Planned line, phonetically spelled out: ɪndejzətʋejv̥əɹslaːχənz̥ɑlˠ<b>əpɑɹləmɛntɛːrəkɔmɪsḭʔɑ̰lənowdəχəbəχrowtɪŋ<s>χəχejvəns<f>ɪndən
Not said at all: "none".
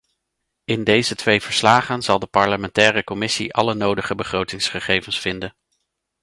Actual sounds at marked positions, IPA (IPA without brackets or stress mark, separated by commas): d, s, f